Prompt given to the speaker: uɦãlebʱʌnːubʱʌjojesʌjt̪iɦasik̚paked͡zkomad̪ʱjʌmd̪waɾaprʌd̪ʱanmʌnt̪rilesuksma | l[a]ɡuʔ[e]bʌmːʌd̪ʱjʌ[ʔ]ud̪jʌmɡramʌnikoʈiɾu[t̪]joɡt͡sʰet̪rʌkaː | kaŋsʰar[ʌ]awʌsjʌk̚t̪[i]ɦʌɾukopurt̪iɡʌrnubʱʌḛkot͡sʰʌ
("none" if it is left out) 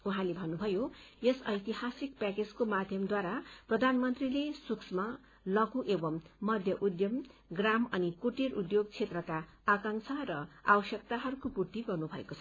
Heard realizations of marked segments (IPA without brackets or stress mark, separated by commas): ʌ, e, ʔ, d̪, ʌ, a